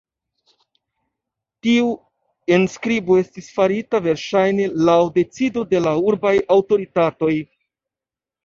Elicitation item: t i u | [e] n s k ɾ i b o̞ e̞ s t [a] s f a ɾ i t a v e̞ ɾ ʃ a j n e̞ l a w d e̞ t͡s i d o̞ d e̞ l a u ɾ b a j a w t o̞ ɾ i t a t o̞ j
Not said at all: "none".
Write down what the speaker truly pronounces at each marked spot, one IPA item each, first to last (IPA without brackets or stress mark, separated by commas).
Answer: e, i